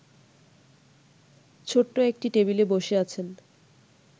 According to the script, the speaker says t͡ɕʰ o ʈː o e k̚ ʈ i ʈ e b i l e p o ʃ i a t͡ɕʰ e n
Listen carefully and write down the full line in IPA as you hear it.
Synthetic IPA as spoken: t͡ɕʰ o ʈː o e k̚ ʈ i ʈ e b i l e b o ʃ e a t͡ɕʰ e n